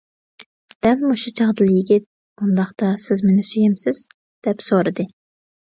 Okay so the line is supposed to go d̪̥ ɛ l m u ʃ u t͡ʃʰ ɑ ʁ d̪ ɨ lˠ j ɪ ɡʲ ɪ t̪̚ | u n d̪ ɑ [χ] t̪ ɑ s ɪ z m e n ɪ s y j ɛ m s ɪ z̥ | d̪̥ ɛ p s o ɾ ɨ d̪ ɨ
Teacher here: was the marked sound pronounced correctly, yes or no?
yes